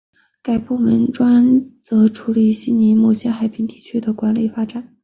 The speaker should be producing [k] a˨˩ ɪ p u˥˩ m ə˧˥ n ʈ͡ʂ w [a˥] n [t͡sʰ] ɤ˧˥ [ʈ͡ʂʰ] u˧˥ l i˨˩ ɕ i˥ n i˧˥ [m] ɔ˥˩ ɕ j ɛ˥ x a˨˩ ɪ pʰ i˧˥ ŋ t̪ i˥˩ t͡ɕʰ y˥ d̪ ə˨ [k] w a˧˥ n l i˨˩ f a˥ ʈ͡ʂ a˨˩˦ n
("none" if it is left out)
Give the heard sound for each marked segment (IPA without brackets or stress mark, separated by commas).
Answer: k, a˥, t͡s, ʈ͡ʂʰ, m, k